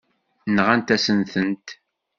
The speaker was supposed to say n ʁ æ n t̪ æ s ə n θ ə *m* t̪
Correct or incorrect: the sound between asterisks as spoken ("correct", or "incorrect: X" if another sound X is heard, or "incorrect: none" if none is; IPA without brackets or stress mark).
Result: incorrect: n